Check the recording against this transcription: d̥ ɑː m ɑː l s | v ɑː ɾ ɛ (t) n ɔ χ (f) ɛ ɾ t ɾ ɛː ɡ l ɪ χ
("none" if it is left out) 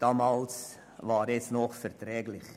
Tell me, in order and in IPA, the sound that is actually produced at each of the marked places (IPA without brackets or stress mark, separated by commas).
t͡s, f